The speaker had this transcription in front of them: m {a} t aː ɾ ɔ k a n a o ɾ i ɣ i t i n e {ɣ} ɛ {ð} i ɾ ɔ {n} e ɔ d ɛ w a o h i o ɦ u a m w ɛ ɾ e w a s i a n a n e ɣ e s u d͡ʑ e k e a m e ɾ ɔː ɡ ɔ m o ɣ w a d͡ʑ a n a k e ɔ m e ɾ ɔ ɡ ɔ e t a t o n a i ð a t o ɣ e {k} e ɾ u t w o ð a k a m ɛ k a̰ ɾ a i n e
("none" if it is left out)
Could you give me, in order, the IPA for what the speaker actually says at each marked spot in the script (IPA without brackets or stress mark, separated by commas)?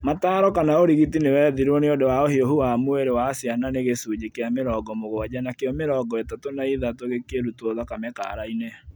a, w, ð, n, k